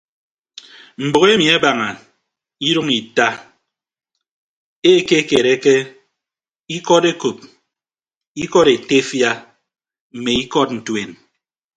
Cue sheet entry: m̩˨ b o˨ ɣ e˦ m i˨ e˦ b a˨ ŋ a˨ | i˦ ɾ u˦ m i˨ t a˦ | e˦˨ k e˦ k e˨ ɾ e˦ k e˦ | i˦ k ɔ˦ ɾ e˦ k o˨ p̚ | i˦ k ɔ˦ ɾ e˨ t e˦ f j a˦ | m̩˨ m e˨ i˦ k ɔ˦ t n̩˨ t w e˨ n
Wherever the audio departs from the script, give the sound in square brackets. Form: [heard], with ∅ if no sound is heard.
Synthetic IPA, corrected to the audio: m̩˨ b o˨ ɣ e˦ m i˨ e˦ b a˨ ŋ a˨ | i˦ ɾ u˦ [ŋ] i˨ t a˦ | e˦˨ k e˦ k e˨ ɾ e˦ k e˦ | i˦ k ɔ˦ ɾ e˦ k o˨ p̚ | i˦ k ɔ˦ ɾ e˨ t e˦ f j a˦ | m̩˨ m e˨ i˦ k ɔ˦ t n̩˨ t w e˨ n